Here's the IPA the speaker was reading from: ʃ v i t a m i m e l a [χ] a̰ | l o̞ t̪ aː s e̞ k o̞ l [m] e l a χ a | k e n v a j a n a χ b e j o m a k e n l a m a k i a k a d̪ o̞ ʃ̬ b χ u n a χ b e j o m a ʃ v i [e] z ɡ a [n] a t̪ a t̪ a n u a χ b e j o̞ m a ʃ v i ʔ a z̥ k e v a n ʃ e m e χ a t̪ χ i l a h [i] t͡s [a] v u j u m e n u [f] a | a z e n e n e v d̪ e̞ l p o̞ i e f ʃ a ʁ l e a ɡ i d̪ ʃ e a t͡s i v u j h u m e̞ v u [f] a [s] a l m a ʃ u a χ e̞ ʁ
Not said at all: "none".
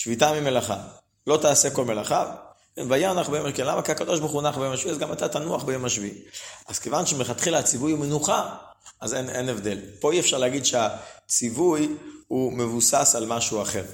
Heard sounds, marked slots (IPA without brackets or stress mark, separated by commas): χ, m, a, m, a, i, χ, s, s